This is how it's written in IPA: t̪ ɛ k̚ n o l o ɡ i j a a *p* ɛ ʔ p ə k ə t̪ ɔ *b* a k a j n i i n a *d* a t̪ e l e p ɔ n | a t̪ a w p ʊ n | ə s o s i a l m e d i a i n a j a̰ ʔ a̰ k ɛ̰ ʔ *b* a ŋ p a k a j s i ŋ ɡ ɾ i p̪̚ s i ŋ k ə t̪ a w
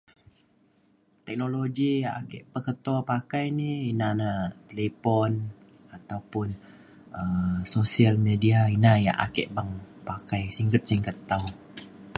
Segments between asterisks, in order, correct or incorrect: incorrect: k, incorrect: p, incorrect: n, correct

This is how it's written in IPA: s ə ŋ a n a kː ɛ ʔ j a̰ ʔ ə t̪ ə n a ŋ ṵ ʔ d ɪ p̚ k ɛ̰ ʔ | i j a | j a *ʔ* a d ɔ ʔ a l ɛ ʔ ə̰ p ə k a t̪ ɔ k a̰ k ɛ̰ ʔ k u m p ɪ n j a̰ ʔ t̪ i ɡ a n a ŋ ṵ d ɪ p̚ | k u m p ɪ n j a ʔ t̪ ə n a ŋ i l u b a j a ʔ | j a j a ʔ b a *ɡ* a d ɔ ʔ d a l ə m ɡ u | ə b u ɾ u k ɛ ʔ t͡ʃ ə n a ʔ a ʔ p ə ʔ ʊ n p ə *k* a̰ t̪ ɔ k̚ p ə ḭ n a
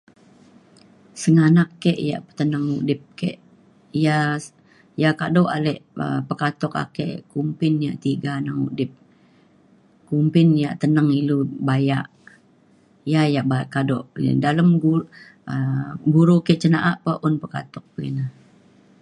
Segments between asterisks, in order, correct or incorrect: incorrect: k, incorrect: k, correct

